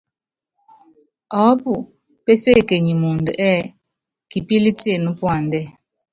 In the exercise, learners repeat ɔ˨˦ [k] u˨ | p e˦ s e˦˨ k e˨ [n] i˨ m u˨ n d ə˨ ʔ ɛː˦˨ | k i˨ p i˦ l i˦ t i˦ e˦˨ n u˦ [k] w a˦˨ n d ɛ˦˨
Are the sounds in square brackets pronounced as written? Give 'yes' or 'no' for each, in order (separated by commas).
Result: no, no, no